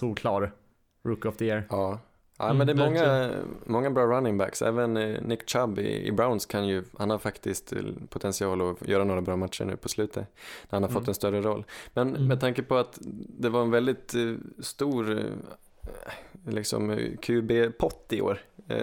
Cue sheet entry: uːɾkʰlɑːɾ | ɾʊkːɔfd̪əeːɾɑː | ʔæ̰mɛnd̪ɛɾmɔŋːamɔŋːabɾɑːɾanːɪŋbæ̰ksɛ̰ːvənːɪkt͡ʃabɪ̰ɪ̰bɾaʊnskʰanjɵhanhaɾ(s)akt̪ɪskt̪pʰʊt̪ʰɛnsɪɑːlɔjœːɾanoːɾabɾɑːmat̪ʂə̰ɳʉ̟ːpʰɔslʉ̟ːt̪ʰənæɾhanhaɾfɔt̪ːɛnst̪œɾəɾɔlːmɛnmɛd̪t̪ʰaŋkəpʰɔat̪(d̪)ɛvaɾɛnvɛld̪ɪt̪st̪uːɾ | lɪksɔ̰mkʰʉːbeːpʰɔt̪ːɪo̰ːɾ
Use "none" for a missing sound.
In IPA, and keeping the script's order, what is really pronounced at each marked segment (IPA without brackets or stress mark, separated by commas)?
f, d̪